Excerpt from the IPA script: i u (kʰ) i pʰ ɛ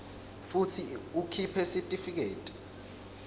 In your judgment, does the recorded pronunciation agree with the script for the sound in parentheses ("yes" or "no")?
yes